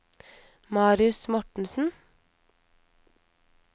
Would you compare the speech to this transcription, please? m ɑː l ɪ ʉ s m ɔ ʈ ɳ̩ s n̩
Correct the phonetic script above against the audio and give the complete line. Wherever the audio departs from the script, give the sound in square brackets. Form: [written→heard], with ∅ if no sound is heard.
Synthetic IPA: m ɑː [l→ɾ] ɪ ʉ s m ɔ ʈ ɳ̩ s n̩